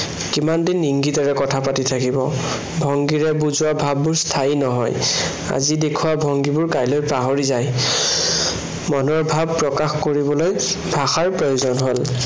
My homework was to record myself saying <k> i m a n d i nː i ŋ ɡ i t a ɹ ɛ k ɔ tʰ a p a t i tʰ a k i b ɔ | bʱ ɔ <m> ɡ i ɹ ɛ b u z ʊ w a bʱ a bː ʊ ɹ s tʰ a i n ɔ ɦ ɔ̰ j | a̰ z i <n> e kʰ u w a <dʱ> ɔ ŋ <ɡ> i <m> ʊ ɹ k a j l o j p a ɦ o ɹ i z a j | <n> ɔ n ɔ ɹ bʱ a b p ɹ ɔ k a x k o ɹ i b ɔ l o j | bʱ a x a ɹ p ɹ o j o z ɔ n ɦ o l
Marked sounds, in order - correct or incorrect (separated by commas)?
correct, incorrect, incorrect, incorrect, correct, incorrect, incorrect